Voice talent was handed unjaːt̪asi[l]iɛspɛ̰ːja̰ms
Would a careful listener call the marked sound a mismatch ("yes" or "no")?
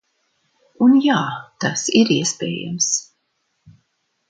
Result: yes